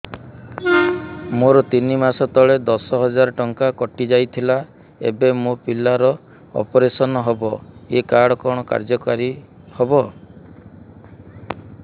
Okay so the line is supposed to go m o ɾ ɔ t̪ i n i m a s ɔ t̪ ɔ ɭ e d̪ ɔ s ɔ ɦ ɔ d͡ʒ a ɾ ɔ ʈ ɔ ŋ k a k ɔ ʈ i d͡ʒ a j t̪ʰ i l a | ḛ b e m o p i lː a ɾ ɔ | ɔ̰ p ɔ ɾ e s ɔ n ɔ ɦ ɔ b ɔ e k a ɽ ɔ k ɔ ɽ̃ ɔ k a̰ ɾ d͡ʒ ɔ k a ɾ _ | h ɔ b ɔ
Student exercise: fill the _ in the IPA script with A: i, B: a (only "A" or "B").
A